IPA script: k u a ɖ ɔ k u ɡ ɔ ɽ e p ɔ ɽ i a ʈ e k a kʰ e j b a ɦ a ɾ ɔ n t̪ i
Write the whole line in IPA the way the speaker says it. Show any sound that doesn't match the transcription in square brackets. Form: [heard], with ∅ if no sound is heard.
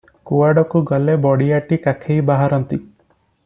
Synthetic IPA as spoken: k u a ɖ ɔ k u ɡ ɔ [l] e [b] ɔ ɽ i a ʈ [i] k a kʰ e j b a ɦ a ɾ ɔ n t̪ i